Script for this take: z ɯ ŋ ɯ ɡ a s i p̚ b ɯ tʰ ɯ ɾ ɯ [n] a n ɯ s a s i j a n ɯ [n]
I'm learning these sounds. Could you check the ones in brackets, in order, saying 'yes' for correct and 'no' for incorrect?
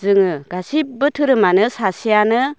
no, no

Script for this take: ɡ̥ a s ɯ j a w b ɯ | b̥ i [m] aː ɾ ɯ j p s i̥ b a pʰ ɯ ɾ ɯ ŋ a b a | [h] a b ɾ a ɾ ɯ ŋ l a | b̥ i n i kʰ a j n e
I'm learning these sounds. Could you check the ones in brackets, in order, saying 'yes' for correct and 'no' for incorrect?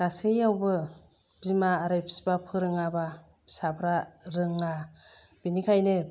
yes, no

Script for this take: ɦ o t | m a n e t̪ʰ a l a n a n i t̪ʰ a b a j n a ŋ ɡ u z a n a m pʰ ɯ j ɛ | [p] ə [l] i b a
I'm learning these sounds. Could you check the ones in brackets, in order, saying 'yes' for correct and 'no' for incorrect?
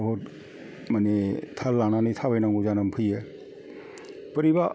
yes, no

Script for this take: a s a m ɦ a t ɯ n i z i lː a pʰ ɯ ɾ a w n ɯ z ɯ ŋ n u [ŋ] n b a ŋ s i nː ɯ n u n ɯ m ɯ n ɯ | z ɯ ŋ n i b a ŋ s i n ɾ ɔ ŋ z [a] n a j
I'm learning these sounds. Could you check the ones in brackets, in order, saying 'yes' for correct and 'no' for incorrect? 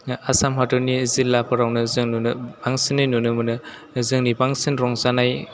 no, yes

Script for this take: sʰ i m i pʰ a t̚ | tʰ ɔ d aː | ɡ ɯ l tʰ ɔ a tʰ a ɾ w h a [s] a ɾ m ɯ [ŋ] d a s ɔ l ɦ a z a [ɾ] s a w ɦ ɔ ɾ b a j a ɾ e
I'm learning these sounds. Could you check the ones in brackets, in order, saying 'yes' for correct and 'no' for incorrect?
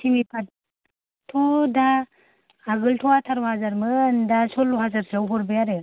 no, no, yes

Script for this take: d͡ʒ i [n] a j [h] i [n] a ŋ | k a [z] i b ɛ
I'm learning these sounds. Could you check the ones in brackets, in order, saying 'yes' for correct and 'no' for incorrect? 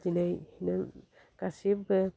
yes, yes, yes, no

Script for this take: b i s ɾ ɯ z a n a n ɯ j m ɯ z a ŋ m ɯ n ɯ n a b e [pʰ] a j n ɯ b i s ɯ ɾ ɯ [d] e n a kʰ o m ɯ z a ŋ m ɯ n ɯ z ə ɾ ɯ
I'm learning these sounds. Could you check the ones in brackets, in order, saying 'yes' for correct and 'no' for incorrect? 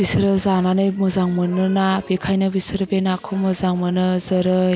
no, no

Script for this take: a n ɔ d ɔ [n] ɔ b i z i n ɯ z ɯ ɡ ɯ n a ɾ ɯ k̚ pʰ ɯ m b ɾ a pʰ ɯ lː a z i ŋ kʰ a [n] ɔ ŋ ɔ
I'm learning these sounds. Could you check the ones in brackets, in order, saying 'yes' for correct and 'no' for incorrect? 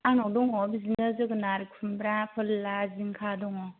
no, no

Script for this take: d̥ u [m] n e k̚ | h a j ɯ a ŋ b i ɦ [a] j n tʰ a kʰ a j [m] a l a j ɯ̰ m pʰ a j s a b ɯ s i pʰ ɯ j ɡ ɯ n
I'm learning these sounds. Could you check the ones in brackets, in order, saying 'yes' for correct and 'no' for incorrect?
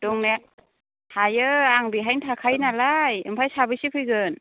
no, yes, no

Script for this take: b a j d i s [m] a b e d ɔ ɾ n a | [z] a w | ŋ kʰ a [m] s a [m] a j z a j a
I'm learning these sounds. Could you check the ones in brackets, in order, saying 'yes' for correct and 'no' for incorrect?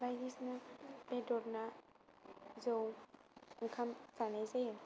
no, yes, yes, no

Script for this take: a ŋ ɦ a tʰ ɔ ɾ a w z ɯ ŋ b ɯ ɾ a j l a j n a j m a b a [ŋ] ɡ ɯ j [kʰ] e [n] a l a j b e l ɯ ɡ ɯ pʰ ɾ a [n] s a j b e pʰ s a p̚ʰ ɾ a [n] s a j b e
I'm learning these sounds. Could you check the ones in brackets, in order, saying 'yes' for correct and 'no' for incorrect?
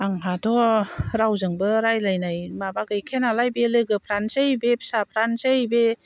no, yes, yes, yes, yes

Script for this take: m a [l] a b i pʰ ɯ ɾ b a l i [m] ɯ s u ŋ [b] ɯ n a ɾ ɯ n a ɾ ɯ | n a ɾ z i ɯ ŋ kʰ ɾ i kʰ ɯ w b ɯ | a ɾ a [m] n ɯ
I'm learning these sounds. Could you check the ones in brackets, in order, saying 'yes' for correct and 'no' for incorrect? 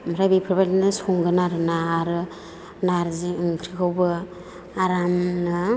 no, no, no, yes

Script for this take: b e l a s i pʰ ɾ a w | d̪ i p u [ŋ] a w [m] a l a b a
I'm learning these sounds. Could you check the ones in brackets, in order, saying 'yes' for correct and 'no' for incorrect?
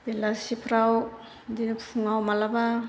yes, yes

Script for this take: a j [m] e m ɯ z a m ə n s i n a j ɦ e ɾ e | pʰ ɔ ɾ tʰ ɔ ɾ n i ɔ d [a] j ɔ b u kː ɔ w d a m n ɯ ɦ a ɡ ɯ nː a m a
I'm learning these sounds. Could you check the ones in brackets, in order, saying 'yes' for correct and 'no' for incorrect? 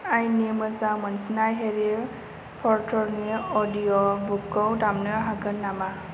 no, no

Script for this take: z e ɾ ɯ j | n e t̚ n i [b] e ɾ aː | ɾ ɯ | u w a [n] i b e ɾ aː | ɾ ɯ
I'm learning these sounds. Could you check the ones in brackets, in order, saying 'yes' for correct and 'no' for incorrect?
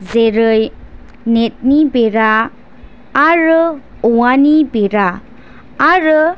yes, yes

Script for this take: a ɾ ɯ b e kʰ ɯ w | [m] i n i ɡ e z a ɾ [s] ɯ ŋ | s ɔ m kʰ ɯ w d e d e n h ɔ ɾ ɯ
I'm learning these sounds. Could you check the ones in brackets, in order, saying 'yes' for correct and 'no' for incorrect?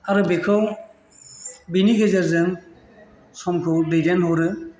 no, no

